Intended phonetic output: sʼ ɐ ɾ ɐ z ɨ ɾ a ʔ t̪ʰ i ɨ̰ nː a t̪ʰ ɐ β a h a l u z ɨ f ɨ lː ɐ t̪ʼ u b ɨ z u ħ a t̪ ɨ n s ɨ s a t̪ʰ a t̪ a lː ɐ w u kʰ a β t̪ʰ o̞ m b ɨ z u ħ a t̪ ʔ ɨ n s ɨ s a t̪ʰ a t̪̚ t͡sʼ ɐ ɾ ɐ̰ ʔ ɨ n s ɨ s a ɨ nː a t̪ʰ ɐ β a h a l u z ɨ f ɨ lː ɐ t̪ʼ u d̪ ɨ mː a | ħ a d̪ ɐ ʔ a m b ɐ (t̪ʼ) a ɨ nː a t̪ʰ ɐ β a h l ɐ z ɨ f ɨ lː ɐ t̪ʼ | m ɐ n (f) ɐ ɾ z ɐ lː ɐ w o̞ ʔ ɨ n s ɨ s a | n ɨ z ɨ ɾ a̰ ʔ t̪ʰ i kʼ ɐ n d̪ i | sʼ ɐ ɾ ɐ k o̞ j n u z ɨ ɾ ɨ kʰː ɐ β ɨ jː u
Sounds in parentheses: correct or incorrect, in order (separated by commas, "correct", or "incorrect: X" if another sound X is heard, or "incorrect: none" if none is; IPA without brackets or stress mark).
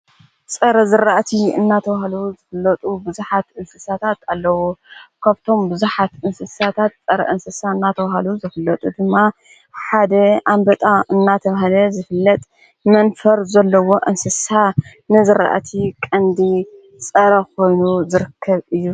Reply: correct, correct